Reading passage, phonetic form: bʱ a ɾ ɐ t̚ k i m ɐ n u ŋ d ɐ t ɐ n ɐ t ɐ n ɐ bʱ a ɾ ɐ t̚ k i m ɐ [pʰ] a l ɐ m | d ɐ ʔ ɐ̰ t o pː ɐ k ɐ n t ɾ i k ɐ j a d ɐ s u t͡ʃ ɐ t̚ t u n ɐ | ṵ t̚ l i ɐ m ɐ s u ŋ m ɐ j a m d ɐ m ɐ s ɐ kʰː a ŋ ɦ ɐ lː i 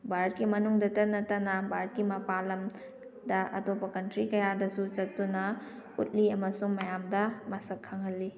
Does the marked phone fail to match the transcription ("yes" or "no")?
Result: yes